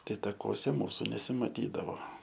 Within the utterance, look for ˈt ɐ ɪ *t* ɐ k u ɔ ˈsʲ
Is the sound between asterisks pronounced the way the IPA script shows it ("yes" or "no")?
yes